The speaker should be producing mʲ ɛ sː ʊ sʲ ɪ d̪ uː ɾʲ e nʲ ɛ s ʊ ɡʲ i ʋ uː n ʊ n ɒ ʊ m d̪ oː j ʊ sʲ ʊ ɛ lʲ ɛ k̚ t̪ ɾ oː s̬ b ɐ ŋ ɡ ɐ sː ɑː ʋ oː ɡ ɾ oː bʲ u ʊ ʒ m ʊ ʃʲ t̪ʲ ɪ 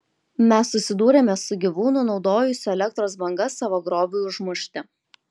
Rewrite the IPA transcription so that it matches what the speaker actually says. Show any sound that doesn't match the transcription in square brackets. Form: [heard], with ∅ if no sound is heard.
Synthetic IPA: mʲ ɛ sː ʊ sʲ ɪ d̪ uː ɾʲ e [mʲ] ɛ s ʊ ɡʲ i ʋ uː n ʊ n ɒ ʊ [∅] d̪ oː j ʊ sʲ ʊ ɛ lʲ ɛ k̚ t̪ ɾ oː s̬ b ɐ ŋ ɡ ɐ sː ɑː ʋ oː ɡ ɾ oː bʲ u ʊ ʒ m ʊ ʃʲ t̪ʲ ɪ